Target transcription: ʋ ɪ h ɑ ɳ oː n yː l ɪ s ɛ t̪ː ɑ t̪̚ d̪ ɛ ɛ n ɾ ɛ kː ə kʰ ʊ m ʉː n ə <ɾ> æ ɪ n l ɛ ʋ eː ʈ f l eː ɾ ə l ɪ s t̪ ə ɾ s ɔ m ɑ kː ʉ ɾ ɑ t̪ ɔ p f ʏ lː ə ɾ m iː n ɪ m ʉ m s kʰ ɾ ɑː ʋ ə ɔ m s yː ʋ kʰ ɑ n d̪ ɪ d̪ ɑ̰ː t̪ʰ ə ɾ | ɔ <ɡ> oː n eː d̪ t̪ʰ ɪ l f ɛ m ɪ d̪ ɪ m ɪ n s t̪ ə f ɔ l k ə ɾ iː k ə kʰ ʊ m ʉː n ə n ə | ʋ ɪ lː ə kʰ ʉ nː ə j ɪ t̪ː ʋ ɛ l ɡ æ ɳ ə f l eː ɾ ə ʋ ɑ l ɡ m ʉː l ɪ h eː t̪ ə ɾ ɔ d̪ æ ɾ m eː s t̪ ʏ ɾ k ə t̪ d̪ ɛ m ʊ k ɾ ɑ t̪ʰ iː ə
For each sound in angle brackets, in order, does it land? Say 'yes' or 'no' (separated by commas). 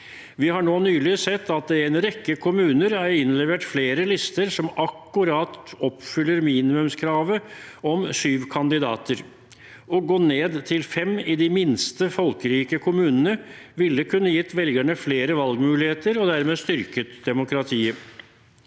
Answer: yes, yes